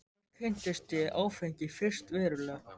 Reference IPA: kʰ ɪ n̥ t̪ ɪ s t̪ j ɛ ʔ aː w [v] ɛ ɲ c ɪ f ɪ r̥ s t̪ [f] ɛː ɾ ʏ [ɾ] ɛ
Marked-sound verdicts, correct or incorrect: incorrect: f, incorrect: v, incorrect: l

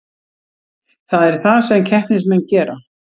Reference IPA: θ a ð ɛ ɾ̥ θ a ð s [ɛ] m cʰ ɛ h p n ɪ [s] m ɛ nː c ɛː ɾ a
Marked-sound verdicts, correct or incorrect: correct, correct

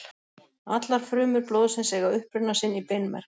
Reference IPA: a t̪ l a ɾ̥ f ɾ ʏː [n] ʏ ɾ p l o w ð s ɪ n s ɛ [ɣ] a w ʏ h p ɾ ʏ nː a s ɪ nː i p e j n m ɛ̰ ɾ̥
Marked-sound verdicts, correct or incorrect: incorrect: m, correct

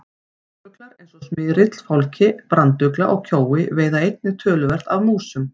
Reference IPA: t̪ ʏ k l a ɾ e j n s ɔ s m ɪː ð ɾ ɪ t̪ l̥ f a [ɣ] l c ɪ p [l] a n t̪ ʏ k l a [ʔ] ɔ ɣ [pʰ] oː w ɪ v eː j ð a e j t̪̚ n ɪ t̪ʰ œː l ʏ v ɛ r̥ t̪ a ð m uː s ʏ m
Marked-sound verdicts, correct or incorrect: incorrect: w, incorrect: ɾ, correct, incorrect: cʰ

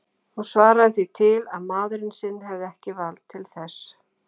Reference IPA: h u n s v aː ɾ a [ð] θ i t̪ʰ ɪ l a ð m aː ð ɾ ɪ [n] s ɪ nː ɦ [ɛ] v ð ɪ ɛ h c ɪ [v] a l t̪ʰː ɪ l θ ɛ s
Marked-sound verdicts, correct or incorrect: correct, correct, correct, correct

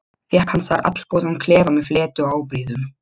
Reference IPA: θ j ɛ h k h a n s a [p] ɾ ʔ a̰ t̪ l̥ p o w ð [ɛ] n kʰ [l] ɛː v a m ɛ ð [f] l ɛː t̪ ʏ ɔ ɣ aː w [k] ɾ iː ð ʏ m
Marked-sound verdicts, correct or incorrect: incorrect: none, incorrect: a, correct, correct, incorrect: p

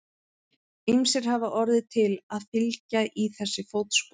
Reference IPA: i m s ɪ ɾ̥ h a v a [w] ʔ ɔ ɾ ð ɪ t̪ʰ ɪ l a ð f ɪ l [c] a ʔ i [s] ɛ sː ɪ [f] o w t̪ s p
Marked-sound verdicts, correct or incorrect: incorrect: none, correct, incorrect: θ, correct

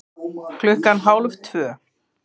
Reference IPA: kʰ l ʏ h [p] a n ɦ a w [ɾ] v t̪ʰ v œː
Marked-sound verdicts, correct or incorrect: incorrect: k, incorrect: l

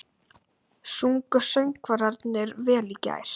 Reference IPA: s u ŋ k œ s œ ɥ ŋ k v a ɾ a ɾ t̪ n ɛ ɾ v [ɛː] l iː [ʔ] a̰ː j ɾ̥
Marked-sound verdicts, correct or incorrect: correct, incorrect: c

